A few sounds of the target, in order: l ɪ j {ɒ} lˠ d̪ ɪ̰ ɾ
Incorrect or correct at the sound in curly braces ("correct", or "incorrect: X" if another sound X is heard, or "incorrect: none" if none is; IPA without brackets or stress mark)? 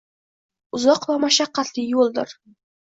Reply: incorrect: o